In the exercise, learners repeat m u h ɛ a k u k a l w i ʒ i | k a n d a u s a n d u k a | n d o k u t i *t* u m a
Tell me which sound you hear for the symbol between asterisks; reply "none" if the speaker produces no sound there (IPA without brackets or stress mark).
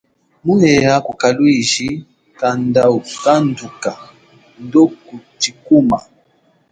k